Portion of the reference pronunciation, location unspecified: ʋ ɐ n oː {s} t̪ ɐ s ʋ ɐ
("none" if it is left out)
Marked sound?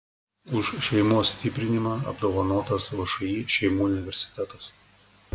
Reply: none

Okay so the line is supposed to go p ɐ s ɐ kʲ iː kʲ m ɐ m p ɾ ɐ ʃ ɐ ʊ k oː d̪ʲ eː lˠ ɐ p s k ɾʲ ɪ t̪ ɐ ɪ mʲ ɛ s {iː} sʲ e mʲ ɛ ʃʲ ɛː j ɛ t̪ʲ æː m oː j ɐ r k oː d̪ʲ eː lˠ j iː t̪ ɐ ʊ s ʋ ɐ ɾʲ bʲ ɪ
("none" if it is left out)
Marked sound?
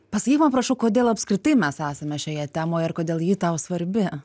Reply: æː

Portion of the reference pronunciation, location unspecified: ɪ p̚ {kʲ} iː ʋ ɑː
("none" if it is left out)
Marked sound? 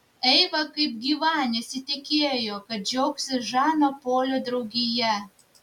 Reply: ɡʲ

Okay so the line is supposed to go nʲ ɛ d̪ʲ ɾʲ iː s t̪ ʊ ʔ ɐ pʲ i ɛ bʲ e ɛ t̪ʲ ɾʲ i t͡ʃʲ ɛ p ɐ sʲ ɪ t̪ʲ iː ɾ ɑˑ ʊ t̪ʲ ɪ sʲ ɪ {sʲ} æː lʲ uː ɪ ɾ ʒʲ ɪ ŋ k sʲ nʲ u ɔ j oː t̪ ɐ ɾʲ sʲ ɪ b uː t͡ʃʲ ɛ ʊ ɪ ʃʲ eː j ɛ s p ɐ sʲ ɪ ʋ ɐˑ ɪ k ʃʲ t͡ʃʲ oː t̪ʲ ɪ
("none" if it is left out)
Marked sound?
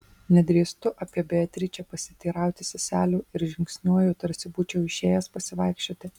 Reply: sʲ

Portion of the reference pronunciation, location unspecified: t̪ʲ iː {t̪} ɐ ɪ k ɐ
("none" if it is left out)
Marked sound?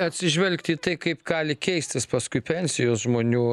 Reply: t̪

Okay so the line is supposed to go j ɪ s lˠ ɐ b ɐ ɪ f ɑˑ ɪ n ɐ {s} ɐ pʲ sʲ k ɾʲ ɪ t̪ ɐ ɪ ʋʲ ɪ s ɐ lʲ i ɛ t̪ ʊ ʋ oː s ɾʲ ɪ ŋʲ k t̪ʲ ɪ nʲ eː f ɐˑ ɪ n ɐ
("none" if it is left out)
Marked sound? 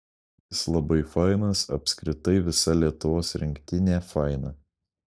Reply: s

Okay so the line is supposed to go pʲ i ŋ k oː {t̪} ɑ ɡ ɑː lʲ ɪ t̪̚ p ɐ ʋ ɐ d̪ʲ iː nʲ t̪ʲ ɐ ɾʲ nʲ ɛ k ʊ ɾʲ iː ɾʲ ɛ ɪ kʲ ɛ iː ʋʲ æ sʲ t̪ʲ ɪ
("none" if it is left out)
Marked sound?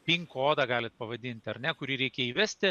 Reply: d̪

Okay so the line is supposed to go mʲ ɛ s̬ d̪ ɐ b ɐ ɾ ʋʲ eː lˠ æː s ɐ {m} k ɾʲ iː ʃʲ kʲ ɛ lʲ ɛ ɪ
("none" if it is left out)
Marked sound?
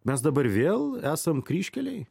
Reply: m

